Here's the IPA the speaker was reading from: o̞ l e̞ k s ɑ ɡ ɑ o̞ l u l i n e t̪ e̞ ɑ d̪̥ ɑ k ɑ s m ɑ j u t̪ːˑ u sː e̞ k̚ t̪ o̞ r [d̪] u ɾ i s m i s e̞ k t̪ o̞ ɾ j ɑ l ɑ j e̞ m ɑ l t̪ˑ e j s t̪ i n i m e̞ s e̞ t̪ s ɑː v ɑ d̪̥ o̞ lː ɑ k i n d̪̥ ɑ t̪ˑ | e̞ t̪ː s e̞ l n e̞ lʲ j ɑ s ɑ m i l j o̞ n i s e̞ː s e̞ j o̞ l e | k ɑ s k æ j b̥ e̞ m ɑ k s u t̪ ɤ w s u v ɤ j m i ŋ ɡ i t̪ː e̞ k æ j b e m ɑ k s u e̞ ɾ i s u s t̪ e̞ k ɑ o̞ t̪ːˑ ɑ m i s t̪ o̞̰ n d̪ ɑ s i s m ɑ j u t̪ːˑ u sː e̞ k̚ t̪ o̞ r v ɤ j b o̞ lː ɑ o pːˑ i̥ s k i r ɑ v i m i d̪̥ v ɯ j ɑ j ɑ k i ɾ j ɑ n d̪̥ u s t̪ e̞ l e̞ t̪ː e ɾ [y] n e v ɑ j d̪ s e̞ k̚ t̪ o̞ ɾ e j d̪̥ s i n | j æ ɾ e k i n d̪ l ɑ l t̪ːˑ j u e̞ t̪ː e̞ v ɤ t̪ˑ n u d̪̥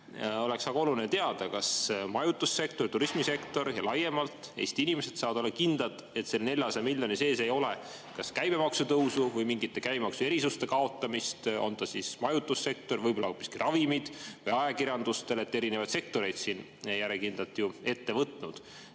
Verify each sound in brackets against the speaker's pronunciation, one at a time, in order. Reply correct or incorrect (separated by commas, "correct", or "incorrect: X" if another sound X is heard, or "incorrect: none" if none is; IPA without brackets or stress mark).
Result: incorrect: t̪, incorrect: i